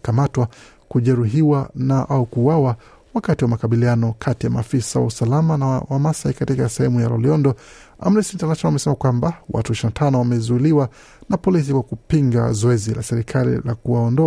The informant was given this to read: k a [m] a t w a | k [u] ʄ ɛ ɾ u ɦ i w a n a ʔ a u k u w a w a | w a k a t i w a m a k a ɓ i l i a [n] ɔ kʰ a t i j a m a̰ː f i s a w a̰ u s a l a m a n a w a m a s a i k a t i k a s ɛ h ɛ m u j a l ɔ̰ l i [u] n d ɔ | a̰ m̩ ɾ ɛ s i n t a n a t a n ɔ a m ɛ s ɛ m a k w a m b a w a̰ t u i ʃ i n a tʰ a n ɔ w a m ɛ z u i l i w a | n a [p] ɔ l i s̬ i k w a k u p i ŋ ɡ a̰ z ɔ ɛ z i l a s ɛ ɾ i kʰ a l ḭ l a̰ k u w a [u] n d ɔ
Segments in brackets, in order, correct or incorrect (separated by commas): correct, correct, correct, incorrect, correct, incorrect